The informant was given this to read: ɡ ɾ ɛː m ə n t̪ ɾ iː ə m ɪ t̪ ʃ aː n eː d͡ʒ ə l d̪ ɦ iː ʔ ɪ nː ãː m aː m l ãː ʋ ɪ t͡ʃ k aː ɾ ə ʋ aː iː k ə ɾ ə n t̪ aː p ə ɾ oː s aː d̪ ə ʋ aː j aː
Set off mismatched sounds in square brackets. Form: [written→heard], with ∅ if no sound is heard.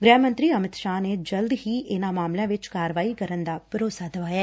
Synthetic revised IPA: ɡ ɾ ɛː m ə n t̪ ɾ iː ə m ɪ t̪ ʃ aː n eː d͡ʒ ə l d̪ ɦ iː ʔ ɪ [nː→n] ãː m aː m l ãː ʋ ɪ t͡ʃ k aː ɾ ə ʋ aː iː k ə ɾ ə n [t̪→d̪] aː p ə ɾ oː s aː d̪ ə ʋ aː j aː

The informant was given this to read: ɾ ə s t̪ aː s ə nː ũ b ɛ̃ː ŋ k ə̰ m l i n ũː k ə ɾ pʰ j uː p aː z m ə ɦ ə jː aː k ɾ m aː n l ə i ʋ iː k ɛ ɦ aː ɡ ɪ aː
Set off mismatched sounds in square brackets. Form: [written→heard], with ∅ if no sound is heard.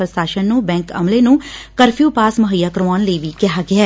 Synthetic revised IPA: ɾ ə s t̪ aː [s→ʃ] ə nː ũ b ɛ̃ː ŋ k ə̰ m l [i→e] n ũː k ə ɾ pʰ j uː p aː [z→s] m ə ɦ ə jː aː k ɾ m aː n l ə i ʋ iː k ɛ ɦ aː ɡ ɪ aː

